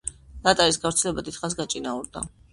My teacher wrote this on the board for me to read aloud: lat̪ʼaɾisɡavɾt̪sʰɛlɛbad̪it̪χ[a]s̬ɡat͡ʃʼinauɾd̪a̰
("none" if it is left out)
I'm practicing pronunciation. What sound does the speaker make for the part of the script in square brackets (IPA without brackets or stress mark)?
a